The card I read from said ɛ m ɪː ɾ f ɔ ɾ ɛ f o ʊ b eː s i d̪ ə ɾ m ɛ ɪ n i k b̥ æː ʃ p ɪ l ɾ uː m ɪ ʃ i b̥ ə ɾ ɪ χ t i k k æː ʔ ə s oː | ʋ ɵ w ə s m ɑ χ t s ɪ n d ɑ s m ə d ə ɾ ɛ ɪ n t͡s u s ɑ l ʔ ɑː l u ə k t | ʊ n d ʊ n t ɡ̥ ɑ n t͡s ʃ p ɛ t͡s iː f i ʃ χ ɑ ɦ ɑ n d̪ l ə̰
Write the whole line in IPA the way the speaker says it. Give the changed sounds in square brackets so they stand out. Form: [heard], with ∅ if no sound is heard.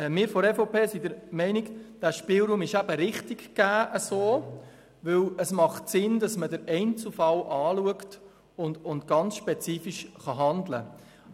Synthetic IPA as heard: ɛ m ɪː ɾ f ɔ ɾ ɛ f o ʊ [p] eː s i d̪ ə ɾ m ɛ ɪ n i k [d̥] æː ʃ p ɪ l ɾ uː m ɪ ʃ [æ] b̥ ə ɾ ɪ χ t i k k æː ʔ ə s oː | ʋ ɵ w ə s m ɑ χ t s ɪ n d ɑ s m ə d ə ɾ ɛ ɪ n t͡s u [f] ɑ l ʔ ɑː l u ə k t | ʊ n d ʊ n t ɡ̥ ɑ n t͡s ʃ p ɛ t͡s iː f i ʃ χ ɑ ɦ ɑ n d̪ l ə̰